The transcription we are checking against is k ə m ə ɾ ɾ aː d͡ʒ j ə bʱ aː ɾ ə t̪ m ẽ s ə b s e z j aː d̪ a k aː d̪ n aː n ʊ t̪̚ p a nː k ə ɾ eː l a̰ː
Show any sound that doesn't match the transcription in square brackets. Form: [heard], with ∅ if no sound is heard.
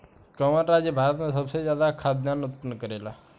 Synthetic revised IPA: k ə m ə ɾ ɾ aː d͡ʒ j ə bʱ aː ɾ ə t̪ m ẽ s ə b s e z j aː d̪ a [kʰ] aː d̪ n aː n ʊ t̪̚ p [ə] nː k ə ɾ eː l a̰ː